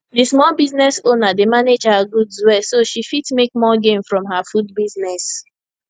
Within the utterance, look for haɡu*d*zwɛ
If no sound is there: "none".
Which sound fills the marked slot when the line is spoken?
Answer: d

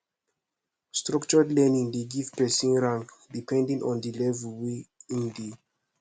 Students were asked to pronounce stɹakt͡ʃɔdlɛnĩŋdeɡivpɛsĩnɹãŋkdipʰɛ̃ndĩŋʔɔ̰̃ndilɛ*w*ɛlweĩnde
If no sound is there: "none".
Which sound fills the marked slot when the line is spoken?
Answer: v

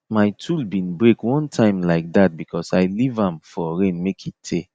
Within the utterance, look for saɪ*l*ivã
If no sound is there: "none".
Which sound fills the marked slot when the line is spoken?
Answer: l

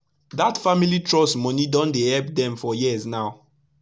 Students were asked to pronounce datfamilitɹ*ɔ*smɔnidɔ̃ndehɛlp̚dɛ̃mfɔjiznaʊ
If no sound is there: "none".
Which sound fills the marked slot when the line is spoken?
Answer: ɔ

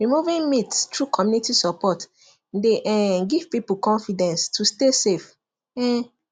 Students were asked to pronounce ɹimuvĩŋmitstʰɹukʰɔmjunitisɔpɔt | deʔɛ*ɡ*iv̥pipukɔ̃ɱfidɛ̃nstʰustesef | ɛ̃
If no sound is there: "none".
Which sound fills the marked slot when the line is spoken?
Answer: ɡ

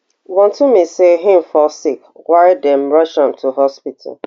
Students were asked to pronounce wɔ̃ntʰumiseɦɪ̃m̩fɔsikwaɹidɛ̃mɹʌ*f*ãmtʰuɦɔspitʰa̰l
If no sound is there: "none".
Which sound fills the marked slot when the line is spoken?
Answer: ʃ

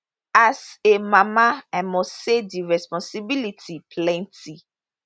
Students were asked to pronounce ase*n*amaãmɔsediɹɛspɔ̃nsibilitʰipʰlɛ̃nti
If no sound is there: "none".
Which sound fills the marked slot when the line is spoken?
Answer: m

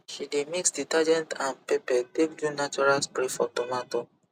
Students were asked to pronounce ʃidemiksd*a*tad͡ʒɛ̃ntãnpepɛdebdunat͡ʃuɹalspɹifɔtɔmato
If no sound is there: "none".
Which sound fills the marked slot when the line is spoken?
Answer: i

